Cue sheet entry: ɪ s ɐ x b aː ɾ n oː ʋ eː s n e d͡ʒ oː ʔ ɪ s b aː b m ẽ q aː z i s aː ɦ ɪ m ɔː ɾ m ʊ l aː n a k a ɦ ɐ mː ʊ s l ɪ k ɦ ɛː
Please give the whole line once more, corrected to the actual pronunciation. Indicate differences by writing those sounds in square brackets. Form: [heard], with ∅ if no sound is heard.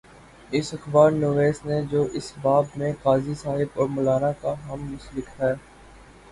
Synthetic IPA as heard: ɪ s ɐ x b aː ɾ n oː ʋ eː s n e d͡ʒ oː ʔ ɪ s b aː b m ẽ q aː z i s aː ɦ ɪ [b] ɔː ɾ m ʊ l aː n a k a ɦ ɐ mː ʊ s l ɪ k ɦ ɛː